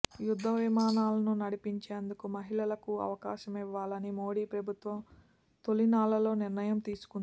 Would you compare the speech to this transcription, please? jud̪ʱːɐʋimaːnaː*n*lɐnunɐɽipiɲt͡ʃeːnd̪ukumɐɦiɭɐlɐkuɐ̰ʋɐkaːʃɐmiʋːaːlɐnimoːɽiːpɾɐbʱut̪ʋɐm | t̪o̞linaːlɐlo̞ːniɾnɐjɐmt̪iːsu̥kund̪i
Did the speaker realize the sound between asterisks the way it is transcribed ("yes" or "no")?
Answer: no